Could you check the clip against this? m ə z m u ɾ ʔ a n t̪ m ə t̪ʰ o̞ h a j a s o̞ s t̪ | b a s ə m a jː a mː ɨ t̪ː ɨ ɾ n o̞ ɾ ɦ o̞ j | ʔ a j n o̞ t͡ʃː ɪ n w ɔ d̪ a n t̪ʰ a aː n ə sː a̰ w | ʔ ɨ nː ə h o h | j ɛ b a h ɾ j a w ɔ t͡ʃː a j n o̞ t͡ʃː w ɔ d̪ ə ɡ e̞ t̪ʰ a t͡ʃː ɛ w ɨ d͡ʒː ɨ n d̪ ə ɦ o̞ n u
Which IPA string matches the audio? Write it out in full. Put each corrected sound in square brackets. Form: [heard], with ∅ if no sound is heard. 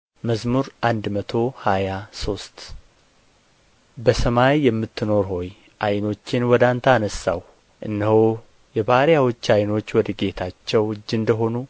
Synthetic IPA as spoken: m ə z m u ɾ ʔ a n [d̪] m ə t̪ʰ o̞ h a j a s o̞ s t̪ | b [ə] s ə m a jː [ɛ] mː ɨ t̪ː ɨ [∅] n o̞ ɾ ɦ o̞ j | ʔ a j n o̞ t͡ʃː ɪ n w ɔ d̪ a n t̪ʰ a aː n ə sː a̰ w | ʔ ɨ nː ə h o [∅] | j ɛ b a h ɾ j a w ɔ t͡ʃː a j n o̞ t͡ʃː w ɔ d̪ ə ɡ e̞ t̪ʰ a t͡ʃː ɛ w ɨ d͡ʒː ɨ n d̪ ə ɦ o̞ n u